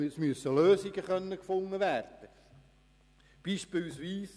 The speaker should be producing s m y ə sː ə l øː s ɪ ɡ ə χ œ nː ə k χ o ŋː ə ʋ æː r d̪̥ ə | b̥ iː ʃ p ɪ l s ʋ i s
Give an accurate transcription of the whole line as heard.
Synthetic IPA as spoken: s m y ə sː ə l øː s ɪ ɡ ə χ œ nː ə k f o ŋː ə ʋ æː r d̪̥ ə | b̥ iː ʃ p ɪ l s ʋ iː s